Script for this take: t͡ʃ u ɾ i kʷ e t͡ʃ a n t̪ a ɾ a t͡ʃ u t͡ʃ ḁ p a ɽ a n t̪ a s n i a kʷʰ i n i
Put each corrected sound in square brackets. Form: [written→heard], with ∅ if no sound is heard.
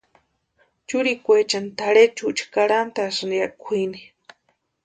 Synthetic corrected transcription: t͡ʃ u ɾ i kʷ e t͡ʃ a n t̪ a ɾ [a→e] t͡ʃ u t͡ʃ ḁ [p→k] a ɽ a n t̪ a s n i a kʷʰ i n i